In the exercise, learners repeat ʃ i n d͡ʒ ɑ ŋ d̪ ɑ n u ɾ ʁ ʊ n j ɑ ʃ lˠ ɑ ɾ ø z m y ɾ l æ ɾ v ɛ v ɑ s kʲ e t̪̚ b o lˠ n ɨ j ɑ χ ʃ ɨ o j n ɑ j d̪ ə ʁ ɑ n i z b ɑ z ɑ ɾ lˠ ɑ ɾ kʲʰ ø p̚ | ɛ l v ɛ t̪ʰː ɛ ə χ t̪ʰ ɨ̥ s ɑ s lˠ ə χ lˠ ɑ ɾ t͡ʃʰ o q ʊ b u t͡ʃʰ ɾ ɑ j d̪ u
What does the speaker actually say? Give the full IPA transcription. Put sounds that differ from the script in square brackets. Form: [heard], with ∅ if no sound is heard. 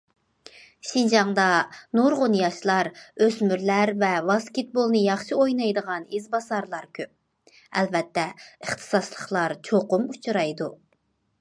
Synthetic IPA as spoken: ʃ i n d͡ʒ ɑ ŋ d̪ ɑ n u ɾ ʁ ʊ n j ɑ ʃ lˠ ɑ ɾ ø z m y ɾ l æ ɾ v ɛ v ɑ s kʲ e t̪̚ b o lˠ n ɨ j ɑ χ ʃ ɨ o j n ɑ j d̪ ə ʁ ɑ n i z b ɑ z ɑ ɾ lˠ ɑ ɾ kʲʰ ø p̚ | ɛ l v ɛ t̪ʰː ɛ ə χ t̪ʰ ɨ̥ s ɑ s lˠ ə χ lˠ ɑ ɾ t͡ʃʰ o q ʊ [m] u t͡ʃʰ ɾ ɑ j d̪ u